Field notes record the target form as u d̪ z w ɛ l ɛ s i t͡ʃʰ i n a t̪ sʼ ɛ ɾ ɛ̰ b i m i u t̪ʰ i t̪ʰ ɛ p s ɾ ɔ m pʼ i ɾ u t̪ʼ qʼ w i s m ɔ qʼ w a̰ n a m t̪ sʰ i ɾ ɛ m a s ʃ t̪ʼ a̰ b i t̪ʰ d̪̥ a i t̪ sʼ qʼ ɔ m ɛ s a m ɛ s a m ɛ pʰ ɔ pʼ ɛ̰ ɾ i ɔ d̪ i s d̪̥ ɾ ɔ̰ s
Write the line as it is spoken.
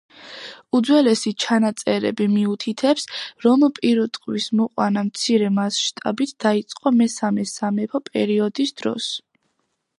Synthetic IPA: u d̪ z w ɛ l ɛ s i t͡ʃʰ a n a t̪ sʼ ɛ ɾ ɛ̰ b i m i u t̪ʰ i t̪ʰ ɛ p s ɾ ɔ m pʼ i ɾ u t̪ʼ qʼ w i s m ɔ qʼ w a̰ n a m t̪ sʰ i ɾ ɛ m a s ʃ t̪ʼ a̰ b i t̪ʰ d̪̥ a i t̪ sʼ qʼ ɔ m ɛ s a m ɛ s a m ɛ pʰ ɔ pʼ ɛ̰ ɾ i ɔ d̪ i s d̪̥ ɾ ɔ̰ s